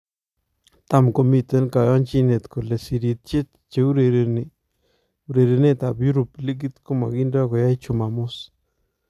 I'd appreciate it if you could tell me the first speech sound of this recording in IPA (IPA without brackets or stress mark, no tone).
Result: t̪